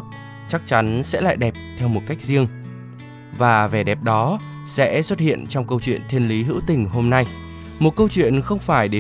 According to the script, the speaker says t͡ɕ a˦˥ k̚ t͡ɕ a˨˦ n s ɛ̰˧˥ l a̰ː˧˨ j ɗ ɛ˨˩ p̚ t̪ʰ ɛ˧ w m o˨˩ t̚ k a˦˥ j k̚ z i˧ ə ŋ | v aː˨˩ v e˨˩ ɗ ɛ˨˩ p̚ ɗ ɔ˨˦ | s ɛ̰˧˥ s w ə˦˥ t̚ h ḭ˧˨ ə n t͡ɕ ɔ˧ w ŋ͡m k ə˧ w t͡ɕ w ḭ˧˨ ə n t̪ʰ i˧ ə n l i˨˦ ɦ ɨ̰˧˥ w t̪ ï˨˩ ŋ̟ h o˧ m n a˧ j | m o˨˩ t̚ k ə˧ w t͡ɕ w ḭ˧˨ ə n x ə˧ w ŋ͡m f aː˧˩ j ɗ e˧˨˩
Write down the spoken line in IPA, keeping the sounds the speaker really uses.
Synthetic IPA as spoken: t͡ɕ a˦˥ k̚ t͡ɕ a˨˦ n s ɛ̰˧˥ l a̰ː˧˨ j ɗ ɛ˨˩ p̚ t̪ʰ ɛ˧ w m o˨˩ t̚ k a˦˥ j k̚ z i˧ ə ŋ | v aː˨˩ v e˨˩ ɗ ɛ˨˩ p̚ ɗ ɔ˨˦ | s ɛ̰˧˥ s w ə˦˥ t̚ h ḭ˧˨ ə n t͡ɕ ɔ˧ w ŋ͡m k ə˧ w t͡ɕ w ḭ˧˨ ə n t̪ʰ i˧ ə n l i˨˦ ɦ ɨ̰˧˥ w t̪ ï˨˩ ŋ̟ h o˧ m n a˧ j | m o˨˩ t̚ k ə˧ w t͡ɕ w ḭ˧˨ ə n x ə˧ w ŋ͡m f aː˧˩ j ɗ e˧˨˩